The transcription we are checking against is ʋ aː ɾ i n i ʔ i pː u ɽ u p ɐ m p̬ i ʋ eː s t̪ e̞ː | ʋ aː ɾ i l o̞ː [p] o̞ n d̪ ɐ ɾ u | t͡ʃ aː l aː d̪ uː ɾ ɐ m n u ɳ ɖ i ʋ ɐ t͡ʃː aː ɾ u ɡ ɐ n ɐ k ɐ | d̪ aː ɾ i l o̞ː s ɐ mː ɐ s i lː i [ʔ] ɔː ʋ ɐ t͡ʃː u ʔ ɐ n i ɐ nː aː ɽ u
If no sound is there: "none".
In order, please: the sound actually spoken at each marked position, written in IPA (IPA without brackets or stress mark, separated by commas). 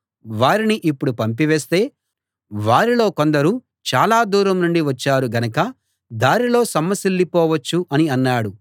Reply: k, p